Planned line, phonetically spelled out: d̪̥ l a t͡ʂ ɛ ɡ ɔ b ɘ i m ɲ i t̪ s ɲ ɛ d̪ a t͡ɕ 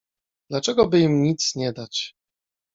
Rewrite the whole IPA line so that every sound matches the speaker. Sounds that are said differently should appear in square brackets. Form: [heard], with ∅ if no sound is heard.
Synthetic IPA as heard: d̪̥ l a t͡ʂ ɛ ɡ ɔ b ɘ i m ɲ i t̪ s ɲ ɛ d̪ a t͡ɕ